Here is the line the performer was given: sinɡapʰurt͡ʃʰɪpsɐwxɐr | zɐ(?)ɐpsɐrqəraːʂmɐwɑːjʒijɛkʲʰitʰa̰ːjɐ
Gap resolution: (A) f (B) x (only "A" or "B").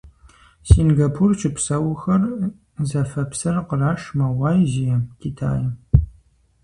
A